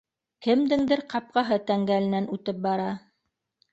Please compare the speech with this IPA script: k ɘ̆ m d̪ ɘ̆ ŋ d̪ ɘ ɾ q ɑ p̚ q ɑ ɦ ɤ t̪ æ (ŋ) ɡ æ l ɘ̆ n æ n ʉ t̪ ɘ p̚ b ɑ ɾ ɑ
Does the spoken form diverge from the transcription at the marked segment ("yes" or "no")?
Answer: no